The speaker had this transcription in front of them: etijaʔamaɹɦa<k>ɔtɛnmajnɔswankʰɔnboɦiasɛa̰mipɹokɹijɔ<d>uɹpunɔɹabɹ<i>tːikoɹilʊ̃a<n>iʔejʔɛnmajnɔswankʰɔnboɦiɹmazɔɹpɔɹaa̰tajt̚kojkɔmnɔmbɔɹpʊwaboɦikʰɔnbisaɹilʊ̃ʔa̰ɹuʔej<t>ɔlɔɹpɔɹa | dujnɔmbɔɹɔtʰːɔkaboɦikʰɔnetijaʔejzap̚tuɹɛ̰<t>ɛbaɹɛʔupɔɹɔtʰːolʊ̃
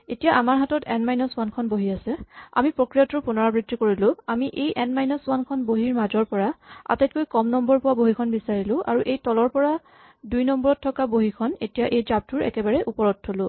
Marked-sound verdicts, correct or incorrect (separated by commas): incorrect, incorrect, correct, incorrect, correct, incorrect